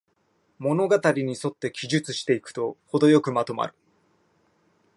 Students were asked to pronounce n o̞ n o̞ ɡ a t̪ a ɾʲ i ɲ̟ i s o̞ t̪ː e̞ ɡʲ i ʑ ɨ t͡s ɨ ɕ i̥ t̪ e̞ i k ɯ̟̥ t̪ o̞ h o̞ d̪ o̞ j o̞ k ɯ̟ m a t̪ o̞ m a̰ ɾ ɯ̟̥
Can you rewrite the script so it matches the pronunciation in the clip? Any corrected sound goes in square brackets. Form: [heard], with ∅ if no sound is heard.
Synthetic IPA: [m] o̞ n o̞ ɡ a t̪ a ɾʲ i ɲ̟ i s o̞ t̪ː e̞ [kʲ] i ʑ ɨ t͡s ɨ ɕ i̥ t̪ e̞ i k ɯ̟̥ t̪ o̞ h o̞ d̪ o̞ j o̞ k ɯ̟ m a t̪ o̞ m a̰ ɾ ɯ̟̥